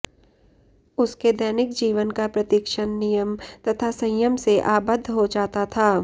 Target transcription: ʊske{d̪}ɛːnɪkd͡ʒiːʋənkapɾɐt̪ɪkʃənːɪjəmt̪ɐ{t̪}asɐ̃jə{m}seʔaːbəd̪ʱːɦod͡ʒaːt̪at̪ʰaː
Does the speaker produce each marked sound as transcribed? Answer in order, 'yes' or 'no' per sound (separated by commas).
yes, no, yes